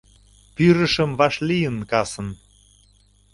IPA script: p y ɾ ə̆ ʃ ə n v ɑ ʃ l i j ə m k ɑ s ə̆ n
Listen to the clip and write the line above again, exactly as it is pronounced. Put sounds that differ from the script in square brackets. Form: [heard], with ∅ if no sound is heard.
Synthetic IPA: p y ɾ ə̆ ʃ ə [m] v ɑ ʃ l i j ə [n] k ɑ s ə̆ n

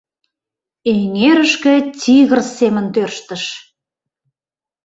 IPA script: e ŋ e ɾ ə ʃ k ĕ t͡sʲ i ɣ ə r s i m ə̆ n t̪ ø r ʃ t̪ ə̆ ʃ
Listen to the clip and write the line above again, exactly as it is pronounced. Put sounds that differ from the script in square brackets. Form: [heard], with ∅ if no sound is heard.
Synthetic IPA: e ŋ e ɾ ə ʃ k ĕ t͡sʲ i ɣ ə r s [e] m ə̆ n t̪ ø r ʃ t̪ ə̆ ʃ

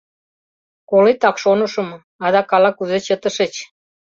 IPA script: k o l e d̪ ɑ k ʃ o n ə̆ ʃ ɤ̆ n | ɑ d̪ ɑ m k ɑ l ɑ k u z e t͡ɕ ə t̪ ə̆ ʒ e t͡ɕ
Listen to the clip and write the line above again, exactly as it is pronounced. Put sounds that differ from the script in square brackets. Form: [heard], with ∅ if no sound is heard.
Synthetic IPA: k o l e [t̪] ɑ k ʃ o n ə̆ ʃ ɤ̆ [m] | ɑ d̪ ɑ [∅] k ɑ l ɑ k u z e t͡ɕ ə t̪ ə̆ [ʃ] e t͡ɕ

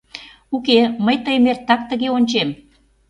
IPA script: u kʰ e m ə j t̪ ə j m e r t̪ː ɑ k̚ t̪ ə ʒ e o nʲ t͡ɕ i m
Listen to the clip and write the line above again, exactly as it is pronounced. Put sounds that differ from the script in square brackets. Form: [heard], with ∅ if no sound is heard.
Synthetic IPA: u [k] e m ə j t̪ ə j m e r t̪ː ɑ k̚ t̪ ə [ɣ] e o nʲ t͡ɕ [e] m

